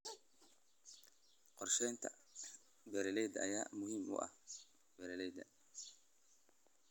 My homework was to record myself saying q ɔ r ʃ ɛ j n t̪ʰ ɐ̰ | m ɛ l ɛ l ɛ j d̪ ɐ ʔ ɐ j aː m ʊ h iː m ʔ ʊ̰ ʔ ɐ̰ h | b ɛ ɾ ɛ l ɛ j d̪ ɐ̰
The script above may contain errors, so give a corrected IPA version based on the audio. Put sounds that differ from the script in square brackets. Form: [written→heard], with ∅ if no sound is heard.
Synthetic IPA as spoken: q ɔ r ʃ ɛ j n t̪ʰ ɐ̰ | [m→b] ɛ [l→ɾ] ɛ l ɛ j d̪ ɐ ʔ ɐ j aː m ʊ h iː m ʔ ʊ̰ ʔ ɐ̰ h | b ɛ ɾ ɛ l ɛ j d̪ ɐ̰